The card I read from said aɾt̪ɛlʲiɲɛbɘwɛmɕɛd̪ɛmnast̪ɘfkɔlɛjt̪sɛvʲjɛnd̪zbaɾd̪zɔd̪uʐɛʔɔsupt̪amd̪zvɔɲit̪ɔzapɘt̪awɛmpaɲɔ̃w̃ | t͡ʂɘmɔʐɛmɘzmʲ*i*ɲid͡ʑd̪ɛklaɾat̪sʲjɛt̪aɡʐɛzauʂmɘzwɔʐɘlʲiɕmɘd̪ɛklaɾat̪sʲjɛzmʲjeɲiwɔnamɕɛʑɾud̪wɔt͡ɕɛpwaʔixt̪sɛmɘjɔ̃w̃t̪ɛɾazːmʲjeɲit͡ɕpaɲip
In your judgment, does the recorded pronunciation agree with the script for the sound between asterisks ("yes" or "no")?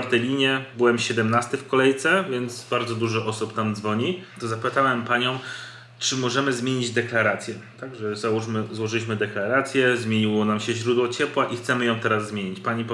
no